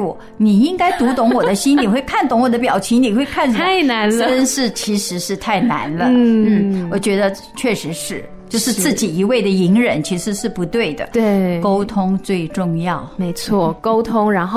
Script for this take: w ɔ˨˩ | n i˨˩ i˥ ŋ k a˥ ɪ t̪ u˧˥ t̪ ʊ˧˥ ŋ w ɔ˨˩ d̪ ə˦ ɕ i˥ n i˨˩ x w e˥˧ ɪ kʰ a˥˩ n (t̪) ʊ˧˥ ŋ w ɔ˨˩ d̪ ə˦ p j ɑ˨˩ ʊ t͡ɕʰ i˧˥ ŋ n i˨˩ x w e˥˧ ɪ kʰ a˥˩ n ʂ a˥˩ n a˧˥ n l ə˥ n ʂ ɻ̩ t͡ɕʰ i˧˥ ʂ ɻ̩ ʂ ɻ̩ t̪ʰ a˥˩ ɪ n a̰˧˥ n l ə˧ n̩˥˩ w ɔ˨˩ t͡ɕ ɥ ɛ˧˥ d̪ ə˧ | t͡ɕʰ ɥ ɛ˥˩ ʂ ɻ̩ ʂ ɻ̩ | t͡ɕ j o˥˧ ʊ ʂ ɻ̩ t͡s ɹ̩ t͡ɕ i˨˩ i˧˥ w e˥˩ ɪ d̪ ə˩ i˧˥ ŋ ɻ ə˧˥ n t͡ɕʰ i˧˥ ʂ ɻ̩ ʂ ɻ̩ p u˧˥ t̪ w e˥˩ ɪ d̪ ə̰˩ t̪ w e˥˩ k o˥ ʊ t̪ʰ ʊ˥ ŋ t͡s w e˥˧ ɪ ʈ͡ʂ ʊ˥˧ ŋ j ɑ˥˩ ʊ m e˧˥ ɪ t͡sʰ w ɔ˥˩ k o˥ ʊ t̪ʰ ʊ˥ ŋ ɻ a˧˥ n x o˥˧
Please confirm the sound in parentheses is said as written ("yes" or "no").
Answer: yes